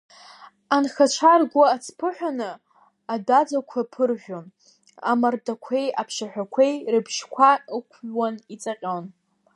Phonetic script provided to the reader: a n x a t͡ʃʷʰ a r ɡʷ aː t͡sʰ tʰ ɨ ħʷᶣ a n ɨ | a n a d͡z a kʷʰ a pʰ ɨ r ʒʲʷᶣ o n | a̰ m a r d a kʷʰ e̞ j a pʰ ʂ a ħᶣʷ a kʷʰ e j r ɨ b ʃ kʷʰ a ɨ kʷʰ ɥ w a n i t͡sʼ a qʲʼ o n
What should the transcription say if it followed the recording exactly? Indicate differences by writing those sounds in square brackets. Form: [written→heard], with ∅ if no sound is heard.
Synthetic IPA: a n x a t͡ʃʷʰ a r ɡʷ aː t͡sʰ [tʰ→pʰ] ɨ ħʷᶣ a n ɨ | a [n→d] a d͡z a kʷʰ a pʰ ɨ r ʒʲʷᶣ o n | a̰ m a r d a kʷʰ e̞ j a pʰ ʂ a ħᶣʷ a kʷʰ e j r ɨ b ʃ kʷʰ a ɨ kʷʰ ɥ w a n i t͡sʼ a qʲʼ o n